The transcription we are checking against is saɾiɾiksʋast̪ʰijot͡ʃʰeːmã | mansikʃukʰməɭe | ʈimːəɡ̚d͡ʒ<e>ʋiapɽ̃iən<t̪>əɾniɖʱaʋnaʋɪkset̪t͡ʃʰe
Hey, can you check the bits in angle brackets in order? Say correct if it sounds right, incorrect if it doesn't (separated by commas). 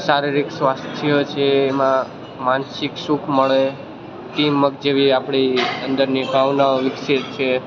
correct, incorrect